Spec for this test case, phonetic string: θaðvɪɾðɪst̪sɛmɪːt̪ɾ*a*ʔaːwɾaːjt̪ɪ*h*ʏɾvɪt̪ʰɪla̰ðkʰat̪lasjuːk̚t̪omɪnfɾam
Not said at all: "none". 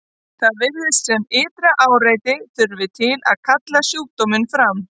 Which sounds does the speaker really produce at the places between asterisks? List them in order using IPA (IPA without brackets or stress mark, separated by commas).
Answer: a, θ